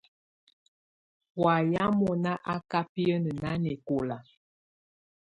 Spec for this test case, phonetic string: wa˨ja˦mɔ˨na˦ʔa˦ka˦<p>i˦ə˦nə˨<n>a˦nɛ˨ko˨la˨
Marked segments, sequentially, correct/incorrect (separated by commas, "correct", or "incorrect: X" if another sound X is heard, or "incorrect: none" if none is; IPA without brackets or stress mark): correct, correct